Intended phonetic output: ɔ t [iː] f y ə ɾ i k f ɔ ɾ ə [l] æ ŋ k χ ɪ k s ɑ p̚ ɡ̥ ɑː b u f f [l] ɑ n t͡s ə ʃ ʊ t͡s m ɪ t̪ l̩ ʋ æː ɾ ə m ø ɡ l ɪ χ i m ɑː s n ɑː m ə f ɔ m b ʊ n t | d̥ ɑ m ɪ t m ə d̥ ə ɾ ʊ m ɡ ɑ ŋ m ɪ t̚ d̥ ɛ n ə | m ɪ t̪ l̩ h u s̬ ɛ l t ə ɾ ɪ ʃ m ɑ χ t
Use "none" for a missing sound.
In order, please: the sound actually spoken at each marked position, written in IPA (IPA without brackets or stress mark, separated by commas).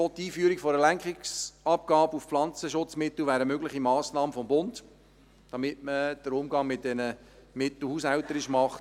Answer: iː, l, l